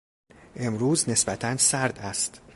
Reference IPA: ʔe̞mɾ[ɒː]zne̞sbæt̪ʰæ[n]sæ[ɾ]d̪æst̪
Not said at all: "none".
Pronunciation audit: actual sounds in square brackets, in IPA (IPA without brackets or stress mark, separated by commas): uː, n, ɾ